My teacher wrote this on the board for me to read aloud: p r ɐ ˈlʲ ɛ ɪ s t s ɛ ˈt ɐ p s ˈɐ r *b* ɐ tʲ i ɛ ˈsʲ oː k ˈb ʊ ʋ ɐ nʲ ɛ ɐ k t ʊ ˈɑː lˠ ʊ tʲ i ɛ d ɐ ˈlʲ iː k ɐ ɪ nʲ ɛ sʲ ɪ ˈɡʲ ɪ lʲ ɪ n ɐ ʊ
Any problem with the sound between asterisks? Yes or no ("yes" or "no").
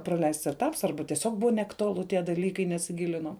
no